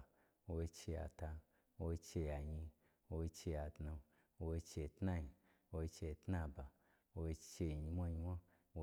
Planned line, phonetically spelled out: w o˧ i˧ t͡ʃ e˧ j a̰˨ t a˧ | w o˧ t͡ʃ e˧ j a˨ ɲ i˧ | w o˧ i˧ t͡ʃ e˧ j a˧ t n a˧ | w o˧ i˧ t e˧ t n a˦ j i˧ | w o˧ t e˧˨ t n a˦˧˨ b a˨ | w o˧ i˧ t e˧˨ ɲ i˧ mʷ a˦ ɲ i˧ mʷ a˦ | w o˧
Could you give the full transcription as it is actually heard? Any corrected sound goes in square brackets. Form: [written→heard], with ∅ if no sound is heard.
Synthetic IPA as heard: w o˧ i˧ t͡ʃ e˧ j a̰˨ t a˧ | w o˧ t͡ʃ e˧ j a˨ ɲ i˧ | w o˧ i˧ t͡ʃ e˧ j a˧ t n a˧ | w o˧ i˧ [t→t͡ʃ] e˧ t n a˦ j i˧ | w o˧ [t→t͡ʃ] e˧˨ t n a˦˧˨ b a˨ | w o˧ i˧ [t→t͡ʃ] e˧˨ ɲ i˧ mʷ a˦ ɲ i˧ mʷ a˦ | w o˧